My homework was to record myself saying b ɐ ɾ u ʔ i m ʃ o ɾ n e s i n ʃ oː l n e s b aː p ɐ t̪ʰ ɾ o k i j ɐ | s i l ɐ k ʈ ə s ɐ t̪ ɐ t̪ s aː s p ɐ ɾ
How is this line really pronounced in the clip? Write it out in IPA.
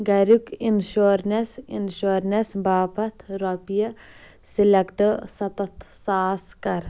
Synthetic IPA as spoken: ɡ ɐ ɾ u k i n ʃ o ɾ n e s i n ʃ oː ɾ n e s b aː p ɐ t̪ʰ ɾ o p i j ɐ | s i l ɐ k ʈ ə s ɐ t̪ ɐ t̪ s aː s k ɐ ɾ